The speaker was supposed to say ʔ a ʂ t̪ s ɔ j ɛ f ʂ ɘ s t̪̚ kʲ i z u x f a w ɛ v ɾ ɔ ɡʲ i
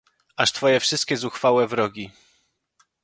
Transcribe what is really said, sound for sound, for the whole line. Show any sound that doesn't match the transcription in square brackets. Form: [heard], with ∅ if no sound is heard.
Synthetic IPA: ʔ a ʂ t̪ [f] ɔ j ɛ f ʂ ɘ s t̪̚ kʲ [ɛ] z u x f a w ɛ v ɾ ɔ ɡʲ i